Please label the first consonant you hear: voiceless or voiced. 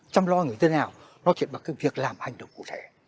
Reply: voiceless